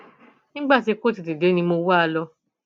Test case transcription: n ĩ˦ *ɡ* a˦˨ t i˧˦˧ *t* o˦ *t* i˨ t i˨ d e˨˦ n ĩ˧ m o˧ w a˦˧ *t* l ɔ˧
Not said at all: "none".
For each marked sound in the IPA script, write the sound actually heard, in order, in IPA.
ɡ͡b, k, t, none

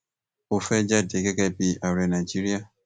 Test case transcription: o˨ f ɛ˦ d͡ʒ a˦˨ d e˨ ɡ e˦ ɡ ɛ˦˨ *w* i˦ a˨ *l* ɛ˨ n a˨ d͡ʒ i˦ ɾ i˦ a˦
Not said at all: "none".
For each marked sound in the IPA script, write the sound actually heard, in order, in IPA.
b, ɾ

